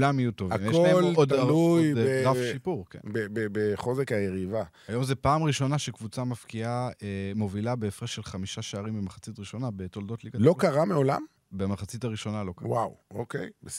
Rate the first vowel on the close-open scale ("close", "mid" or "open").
open